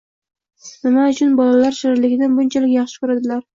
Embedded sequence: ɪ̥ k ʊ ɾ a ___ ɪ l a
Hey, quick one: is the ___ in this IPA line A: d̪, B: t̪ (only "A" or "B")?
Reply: A